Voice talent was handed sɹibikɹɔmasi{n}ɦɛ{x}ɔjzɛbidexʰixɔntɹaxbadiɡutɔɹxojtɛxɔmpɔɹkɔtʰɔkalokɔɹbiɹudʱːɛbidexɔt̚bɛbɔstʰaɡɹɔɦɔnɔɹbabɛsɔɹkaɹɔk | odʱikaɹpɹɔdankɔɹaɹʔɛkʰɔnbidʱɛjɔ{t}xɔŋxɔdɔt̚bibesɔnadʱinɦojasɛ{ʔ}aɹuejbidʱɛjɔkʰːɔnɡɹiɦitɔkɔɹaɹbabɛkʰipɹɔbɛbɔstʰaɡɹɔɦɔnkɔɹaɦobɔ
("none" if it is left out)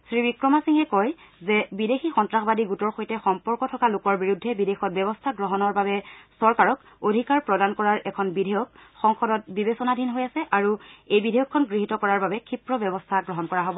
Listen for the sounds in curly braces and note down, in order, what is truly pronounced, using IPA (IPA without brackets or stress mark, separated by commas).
ŋ, k, k, ʔ